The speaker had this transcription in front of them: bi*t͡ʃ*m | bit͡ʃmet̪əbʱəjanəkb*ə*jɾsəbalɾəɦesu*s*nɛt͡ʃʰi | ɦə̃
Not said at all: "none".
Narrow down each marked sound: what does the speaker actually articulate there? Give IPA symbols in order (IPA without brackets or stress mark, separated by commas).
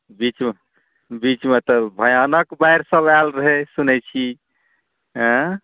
t͡ʃ, a, none